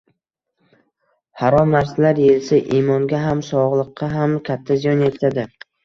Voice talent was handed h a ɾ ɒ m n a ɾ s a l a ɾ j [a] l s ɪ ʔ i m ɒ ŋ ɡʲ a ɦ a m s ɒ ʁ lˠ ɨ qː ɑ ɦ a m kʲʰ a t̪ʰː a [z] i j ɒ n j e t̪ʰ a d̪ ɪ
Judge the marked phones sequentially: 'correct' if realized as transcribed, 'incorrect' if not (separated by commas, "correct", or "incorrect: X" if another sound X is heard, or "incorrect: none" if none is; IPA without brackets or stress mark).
incorrect: e, correct